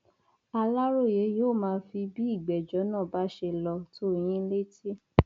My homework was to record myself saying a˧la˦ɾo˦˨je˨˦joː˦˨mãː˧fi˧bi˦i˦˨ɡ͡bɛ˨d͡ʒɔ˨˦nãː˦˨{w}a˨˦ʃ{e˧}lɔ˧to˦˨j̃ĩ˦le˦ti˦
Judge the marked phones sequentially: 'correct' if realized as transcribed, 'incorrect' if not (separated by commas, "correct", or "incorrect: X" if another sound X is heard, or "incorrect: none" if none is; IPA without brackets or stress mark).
incorrect: b, correct